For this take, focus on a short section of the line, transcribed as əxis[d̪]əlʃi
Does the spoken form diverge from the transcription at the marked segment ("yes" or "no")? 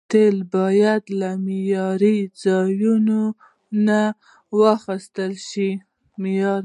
yes